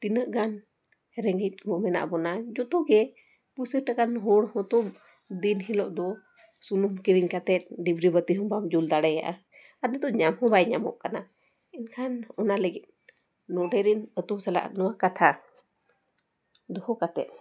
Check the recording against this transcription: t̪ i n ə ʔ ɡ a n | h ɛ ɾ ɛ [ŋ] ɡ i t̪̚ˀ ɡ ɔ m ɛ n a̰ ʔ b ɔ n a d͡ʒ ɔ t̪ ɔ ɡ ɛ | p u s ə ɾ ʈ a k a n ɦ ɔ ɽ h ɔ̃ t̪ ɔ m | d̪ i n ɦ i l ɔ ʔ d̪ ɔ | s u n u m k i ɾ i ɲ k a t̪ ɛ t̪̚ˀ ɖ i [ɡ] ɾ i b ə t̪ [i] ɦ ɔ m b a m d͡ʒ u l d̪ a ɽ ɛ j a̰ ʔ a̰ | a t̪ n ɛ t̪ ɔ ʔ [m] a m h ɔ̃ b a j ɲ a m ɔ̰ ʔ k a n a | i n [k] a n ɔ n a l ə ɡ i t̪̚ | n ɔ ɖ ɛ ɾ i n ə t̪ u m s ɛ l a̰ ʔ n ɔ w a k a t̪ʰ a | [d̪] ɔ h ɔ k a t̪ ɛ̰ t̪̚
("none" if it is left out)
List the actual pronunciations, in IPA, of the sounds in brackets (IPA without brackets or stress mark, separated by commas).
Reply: ŋ, b, i, ɲ, kʰ, d̪